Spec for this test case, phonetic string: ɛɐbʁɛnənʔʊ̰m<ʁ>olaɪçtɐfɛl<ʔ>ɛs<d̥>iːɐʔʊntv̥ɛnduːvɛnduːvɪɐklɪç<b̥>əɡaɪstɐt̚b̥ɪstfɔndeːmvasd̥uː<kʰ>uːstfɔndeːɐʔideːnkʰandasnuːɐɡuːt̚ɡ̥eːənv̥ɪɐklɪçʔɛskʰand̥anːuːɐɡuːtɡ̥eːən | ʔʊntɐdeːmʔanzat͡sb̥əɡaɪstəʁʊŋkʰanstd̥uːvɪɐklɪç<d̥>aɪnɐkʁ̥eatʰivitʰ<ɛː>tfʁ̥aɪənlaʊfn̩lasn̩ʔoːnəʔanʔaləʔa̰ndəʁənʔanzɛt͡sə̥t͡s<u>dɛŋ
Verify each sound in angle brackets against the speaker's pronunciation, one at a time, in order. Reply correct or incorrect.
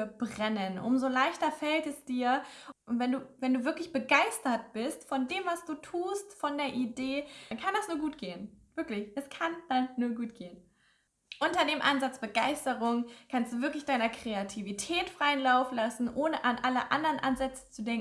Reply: incorrect, incorrect, correct, correct, incorrect, correct, correct, correct

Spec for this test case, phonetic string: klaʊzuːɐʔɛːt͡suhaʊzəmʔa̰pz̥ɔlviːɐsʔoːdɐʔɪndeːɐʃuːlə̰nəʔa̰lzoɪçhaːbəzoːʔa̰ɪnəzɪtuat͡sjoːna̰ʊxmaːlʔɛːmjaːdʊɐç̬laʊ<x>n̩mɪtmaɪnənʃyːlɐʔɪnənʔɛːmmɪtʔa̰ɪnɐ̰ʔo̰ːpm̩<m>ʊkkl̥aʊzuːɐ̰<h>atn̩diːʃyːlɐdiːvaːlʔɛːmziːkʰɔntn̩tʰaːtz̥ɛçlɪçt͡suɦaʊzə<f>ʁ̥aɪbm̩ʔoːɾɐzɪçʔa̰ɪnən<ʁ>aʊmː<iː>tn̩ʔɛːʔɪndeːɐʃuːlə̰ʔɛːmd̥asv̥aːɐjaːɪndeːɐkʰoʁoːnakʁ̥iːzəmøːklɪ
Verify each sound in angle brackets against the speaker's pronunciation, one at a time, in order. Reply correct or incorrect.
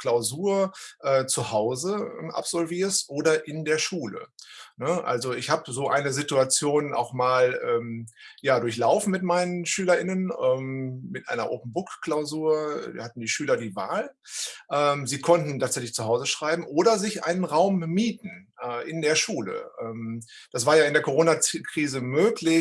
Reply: incorrect, incorrect, correct, incorrect, correct, correct

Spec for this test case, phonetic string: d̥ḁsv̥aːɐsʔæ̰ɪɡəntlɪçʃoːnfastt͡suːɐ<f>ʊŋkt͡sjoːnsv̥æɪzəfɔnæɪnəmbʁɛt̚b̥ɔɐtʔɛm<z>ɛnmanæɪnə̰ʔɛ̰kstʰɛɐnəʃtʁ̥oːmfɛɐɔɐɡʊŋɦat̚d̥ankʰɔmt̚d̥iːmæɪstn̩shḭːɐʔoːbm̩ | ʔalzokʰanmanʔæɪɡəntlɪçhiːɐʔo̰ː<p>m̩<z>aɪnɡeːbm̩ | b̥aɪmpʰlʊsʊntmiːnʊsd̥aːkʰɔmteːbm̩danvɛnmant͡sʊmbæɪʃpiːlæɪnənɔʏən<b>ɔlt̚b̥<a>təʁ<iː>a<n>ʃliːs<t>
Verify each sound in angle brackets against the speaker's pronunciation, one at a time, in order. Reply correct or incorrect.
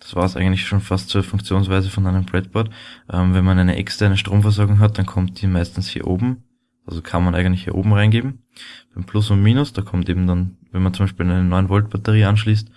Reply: correct, incorrect, incorrect, incorrect, incorrect, correct, correct, correct, correct

